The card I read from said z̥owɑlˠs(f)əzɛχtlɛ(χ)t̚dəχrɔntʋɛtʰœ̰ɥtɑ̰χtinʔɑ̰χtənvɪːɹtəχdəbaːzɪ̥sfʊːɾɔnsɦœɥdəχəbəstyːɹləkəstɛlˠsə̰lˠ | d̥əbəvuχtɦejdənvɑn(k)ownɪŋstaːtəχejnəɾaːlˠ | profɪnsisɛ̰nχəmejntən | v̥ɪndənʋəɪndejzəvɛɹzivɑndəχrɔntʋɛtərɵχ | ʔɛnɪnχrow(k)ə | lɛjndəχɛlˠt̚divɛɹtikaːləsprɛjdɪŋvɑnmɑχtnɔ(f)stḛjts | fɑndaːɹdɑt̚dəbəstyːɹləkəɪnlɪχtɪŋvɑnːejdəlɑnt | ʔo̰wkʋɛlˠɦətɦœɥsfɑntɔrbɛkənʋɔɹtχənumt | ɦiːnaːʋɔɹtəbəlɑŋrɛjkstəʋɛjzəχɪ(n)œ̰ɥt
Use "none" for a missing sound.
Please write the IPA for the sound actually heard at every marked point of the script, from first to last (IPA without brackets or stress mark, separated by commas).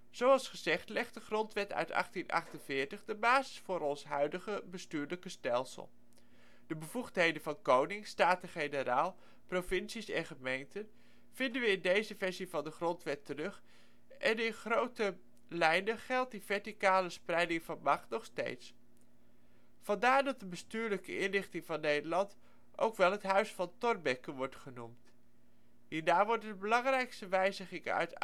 χ, χ, k, t, χ, ŋ